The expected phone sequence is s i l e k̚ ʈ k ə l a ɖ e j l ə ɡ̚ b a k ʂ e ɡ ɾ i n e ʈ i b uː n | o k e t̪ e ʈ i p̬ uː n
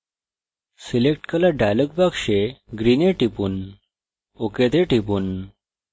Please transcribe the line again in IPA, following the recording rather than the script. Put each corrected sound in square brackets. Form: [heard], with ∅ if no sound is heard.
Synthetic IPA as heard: s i l e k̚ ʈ k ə l a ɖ [a] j l ə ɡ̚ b a k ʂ e ɡ ɾ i n e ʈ i [p] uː n | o k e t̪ e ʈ i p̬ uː n